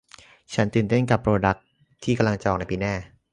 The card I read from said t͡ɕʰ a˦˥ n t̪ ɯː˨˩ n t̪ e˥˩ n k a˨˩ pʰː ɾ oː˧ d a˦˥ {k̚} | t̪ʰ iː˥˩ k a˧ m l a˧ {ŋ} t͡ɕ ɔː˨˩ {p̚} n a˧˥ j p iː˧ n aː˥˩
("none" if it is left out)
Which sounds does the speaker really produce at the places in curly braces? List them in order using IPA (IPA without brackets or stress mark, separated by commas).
k̚, ŋ, k̚